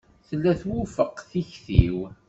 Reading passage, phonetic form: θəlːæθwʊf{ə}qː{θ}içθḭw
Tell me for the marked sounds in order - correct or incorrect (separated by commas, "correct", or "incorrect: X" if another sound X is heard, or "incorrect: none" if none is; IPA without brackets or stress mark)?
correct, correct